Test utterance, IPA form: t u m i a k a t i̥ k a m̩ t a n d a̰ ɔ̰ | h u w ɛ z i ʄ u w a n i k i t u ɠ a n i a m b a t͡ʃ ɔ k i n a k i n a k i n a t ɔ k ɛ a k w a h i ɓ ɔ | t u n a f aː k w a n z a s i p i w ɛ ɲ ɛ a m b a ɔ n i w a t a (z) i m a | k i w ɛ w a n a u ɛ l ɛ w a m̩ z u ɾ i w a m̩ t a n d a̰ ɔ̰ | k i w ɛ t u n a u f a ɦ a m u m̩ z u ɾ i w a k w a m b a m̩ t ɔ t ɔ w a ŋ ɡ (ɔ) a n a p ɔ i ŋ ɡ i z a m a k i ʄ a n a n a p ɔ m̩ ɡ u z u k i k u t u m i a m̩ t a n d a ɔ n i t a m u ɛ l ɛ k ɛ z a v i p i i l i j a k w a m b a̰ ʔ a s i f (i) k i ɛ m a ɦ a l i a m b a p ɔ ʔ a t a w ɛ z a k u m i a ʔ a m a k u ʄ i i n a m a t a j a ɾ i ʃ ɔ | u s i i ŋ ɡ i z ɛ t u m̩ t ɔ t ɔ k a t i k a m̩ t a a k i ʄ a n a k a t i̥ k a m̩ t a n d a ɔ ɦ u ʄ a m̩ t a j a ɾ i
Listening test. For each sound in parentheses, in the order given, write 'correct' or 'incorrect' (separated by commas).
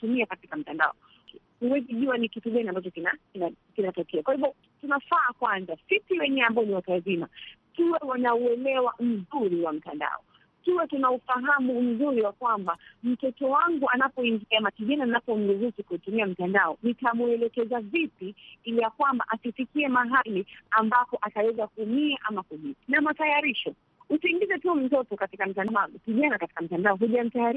correct, incorrect, correct